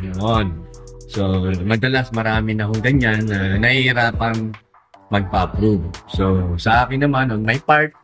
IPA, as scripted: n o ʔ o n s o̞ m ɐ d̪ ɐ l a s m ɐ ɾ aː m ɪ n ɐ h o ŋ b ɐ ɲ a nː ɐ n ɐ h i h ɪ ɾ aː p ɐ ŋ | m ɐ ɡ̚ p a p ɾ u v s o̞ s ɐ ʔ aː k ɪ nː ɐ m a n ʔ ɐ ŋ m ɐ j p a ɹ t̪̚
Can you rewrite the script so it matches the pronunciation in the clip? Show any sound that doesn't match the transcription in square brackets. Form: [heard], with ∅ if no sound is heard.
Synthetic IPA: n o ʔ o n s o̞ m ɐ d̪ ɐ l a s m ɐ ɾ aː m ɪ n ɐ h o ŋ [ɡ] ɐ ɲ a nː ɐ n ɐ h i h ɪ ɾ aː p ɐ ŋ | m ɐ ɡ̚ p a p ɾ u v s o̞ s ɐ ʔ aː k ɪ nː ɐ m a n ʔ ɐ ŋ m ɐ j p a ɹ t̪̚